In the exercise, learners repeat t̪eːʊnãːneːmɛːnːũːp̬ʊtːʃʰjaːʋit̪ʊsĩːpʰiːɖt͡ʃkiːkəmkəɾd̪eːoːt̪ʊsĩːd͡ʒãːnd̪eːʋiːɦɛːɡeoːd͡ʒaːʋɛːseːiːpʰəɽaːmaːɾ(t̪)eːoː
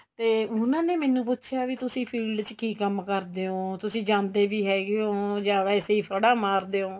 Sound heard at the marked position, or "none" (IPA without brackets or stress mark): d̪